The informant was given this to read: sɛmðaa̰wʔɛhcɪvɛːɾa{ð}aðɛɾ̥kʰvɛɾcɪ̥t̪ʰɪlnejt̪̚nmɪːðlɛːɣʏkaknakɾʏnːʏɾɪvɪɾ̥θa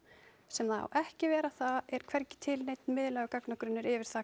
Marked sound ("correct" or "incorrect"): incorrect